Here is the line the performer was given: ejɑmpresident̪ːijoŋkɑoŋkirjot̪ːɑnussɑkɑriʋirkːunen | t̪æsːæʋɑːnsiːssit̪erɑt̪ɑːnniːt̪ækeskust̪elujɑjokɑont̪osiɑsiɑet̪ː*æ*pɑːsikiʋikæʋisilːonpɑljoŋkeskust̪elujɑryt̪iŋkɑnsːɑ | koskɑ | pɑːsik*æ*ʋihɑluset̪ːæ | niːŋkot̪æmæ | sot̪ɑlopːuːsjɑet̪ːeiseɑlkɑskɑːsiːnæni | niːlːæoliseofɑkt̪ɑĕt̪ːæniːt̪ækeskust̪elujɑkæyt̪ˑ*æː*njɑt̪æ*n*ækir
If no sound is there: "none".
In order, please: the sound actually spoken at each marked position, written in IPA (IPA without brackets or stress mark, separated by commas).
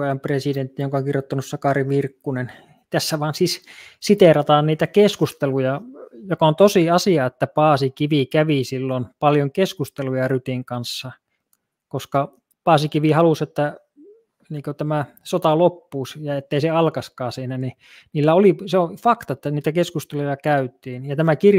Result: æ, i, iː, m